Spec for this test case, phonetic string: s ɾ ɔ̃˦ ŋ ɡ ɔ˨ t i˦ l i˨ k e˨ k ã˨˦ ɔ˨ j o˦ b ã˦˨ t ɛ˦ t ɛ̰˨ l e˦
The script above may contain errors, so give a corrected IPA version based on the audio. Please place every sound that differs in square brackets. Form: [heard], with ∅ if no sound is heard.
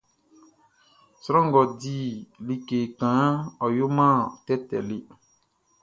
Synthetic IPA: s ɾ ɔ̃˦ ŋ ɡ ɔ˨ [d] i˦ l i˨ k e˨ k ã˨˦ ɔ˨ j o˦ [m] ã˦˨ t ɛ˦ t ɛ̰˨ l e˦